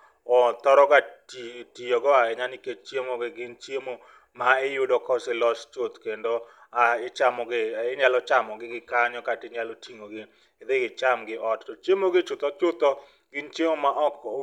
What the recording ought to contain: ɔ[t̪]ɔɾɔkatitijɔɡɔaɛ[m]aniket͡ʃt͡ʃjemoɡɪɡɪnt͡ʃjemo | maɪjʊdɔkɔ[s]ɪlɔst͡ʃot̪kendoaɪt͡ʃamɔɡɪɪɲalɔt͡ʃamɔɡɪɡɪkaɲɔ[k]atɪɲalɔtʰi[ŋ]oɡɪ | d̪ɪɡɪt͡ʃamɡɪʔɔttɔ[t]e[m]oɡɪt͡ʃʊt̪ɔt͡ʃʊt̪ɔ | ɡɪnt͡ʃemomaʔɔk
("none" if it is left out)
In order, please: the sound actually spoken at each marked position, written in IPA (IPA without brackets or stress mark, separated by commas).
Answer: t̪, ɲ, s, k, ŋ, t͡ʃ, m